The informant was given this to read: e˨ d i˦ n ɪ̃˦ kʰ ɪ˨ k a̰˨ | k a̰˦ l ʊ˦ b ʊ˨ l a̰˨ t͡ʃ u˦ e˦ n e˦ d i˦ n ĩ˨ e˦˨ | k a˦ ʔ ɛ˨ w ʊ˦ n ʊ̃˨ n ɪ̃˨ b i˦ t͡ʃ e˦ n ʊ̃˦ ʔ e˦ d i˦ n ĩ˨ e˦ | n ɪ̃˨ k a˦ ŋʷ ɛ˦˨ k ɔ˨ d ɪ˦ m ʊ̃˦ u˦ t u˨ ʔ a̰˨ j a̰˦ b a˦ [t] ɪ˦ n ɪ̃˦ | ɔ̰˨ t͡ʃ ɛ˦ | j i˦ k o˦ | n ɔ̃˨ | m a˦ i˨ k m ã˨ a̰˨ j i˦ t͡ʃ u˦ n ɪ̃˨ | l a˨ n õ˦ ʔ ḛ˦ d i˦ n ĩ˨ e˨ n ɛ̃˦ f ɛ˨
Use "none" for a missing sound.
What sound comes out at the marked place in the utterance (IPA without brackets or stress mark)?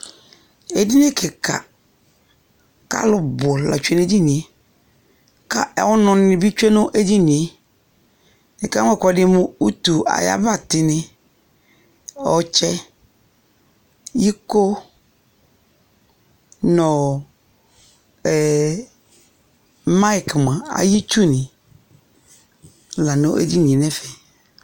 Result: t